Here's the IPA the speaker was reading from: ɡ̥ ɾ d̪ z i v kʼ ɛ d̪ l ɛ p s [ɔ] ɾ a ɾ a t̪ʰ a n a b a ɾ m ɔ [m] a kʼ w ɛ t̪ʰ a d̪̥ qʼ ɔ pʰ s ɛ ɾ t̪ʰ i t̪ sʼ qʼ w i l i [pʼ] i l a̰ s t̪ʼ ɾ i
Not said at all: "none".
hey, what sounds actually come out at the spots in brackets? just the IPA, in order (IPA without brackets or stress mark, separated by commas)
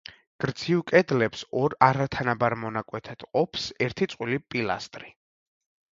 ɔ, n, pʼ